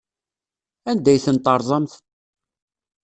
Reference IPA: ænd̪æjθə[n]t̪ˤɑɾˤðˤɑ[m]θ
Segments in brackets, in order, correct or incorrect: correct, correct

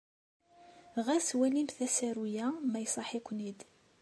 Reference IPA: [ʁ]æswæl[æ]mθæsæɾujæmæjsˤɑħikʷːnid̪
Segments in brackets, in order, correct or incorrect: correct, incorrect

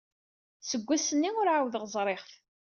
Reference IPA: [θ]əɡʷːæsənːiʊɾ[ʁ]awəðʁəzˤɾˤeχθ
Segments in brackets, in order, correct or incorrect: incorrect, incorrect

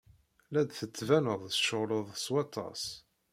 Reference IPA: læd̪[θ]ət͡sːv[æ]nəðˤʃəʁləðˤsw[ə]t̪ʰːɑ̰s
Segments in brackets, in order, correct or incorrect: correct, correct, incorrect

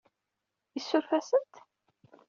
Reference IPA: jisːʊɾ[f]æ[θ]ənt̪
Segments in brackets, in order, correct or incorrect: correct, incorrect

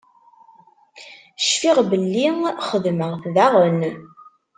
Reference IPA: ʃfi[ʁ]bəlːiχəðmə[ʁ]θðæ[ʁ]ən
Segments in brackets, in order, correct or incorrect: correct, correct, correct

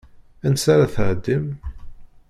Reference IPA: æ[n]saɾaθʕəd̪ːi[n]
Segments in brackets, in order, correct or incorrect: correct, incorrect

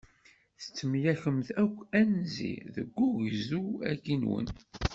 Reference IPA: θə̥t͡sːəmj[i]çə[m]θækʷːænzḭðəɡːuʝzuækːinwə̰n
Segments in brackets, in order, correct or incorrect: incorrect, correct

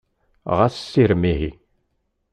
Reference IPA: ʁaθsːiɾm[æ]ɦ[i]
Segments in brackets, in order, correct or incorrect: incorrect, correct

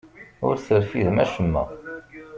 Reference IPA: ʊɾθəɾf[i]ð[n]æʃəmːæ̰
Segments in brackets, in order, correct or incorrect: correct, incorrect

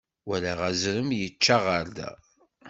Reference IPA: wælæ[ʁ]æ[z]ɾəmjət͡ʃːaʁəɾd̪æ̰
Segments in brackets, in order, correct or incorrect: correct, correct

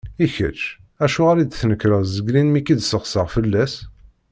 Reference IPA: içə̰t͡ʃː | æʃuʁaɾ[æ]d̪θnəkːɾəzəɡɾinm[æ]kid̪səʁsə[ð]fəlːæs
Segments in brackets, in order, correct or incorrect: incorrect, incorrect, incorrect

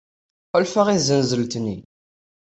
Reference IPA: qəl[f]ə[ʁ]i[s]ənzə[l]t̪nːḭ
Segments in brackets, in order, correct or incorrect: correct, correct, incorrect, correct

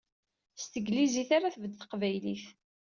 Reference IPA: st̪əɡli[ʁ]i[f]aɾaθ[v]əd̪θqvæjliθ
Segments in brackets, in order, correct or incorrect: incorrect, incorrect, correct

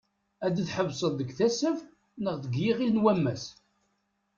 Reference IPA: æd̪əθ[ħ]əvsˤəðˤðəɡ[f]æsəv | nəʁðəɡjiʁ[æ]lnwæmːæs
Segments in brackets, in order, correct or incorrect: correct, incorrect, incorrect

